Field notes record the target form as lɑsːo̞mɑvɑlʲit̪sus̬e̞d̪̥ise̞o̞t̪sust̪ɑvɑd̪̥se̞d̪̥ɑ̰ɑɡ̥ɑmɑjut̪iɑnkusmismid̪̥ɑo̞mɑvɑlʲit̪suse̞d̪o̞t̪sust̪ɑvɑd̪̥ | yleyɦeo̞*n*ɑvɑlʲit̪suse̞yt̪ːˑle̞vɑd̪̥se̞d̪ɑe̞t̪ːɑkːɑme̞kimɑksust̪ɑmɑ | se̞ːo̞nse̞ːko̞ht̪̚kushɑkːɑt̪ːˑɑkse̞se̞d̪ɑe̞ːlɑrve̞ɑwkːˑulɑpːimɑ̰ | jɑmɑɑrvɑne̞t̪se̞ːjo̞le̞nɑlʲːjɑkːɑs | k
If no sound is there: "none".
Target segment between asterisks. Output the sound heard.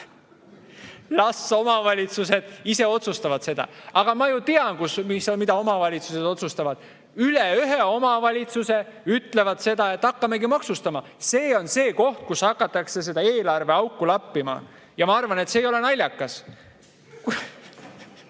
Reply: m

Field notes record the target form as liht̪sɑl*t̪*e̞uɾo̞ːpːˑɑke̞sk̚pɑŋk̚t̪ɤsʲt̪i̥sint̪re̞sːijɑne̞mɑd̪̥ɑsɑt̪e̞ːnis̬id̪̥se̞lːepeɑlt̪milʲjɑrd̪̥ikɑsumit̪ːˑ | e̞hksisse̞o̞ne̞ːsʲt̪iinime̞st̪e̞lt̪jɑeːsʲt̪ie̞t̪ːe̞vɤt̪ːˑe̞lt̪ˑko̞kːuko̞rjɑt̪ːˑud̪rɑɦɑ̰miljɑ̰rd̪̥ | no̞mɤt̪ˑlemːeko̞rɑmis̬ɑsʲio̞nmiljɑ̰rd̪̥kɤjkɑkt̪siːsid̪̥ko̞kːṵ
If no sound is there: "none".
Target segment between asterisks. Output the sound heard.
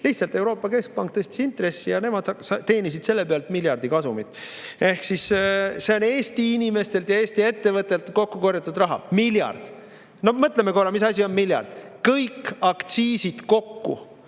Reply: t̪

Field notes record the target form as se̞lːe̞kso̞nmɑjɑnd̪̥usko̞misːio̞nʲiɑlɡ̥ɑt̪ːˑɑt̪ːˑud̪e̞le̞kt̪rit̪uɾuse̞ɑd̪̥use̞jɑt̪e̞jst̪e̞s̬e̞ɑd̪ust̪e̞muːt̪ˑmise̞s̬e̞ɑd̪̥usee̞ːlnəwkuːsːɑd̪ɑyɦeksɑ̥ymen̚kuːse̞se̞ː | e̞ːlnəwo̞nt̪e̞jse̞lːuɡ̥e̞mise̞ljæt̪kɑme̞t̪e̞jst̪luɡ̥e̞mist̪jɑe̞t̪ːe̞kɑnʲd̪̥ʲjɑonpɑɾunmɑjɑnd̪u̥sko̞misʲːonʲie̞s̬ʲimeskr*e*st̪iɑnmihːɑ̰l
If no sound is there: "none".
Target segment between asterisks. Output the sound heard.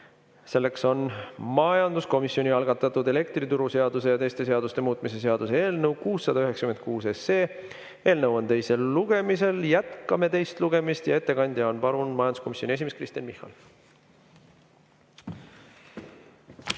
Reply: i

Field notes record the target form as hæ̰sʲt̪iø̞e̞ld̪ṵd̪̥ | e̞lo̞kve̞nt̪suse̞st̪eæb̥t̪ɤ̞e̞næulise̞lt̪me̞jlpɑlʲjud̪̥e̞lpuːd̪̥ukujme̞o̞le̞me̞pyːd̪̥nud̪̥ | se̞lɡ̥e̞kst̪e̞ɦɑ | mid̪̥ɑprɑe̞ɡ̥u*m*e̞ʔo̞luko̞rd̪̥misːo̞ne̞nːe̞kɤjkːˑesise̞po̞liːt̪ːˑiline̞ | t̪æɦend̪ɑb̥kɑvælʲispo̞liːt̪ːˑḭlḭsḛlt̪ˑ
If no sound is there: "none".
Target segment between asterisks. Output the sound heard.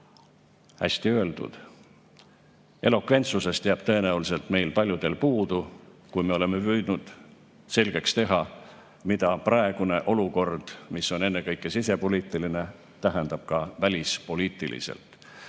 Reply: n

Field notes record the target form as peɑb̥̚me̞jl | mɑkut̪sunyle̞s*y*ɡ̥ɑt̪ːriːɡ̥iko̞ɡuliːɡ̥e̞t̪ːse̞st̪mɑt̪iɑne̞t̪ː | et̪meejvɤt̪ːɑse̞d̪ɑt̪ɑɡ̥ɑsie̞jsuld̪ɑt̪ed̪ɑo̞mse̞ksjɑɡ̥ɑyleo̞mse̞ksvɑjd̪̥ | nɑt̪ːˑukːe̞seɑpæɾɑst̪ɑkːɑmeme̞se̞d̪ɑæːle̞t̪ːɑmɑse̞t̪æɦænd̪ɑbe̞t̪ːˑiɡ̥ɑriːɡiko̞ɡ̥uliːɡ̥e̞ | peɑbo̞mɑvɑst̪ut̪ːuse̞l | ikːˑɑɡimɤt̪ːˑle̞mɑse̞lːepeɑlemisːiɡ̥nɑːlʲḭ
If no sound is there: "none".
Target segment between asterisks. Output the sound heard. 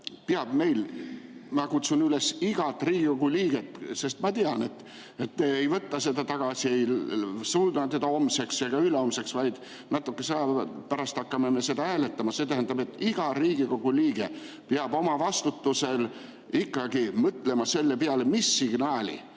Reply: i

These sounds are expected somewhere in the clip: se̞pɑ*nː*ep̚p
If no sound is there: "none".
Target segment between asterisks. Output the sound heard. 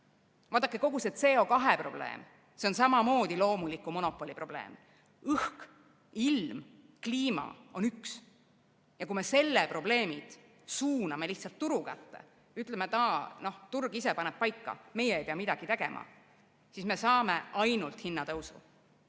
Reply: n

